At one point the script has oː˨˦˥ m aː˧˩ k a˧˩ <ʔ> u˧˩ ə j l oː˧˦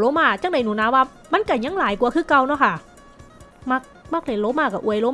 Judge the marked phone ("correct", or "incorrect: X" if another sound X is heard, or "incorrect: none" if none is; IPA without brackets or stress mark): correct